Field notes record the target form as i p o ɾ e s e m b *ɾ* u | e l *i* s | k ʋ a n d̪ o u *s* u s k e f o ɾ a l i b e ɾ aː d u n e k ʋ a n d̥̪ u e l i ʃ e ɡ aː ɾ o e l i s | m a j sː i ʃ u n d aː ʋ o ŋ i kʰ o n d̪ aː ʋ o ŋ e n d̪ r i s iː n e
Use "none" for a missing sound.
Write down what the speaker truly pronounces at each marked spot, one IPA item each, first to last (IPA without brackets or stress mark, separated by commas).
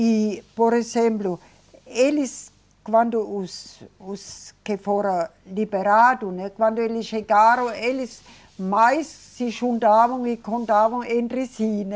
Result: l, i, s